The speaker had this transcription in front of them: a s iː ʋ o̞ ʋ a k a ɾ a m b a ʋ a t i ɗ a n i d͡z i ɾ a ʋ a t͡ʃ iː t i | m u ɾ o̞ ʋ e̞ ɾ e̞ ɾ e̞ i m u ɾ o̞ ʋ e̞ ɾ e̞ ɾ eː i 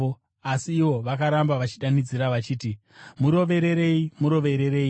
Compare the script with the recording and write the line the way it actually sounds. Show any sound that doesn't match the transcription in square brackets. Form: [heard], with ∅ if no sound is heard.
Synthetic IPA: a s iː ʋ o̞ ʋ a k a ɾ a m b a ʋ a [t͡ʃ] i ɗ a n i d͡z i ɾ a ʋ a t͡ʃ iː t i | m u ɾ o̞ ʋ e̞ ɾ e̞ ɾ e̞ i m u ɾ o̞ ʋ e̞ ɾ e̞ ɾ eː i